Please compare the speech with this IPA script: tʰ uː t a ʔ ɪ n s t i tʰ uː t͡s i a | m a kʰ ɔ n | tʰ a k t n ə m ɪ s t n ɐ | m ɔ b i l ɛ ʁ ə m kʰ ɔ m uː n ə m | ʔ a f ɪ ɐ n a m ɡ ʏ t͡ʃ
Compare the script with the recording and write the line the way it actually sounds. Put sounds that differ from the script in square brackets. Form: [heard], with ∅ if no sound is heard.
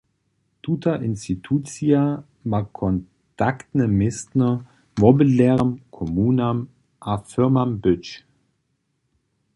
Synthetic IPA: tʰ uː t a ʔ ɪ n s t i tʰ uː t͡s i a | m a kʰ ɔ n | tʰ a k t n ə m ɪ s t n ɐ | m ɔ b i l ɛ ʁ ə m kʰ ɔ m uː n [a] m | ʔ a f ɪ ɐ [m] a m [b] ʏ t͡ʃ